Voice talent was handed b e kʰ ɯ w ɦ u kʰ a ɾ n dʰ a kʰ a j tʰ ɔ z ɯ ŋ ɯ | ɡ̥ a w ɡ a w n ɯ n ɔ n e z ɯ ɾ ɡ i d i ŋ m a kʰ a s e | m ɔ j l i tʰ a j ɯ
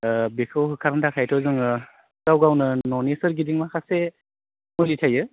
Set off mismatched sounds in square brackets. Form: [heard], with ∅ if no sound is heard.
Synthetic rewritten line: b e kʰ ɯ w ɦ [ɯ] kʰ a ɾ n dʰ a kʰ a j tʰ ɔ z ɯ ŋ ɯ | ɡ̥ a w ɡ a w n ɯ n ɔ n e [s] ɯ ɾ ɡ i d i ŋ m a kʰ a s e | m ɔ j l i tʰ a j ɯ